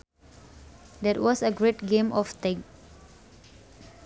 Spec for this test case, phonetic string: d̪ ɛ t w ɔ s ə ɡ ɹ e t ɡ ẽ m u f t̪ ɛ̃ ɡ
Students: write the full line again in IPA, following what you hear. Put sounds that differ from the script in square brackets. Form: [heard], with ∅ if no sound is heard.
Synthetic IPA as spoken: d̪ ɛ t w ɔ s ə ɡ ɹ e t ɡ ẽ m [ɔ] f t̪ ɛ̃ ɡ

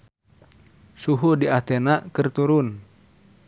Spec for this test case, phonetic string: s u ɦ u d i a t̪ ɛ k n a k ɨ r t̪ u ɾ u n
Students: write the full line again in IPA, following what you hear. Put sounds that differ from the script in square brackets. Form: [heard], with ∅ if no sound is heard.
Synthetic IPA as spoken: s u ɦ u d i a t̪ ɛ [∅] n a k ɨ r t̪ u ɾ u n

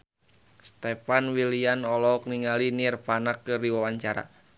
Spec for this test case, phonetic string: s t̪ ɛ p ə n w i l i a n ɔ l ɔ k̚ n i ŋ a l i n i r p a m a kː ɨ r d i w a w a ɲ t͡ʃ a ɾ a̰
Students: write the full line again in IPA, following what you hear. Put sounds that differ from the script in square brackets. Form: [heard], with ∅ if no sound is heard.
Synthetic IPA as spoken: s t̪ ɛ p [a] n w i l i a n ɔ l ɔ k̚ n i ŋ a l i n i r p a [n] a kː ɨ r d i w a w a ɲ t͡ʃ a ɾ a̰

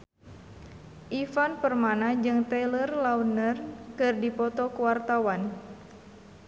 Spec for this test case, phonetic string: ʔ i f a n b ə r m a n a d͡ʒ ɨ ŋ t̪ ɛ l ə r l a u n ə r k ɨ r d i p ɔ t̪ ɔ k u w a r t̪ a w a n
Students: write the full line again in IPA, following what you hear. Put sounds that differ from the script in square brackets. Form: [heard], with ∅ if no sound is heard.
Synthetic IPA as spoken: ʔ i f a n [p] ə r m a n a d͡ʒ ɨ ŋ t̪ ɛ l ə r l a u n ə r k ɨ r d i p ɔ t̪ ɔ k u w a r t̪ a w a n

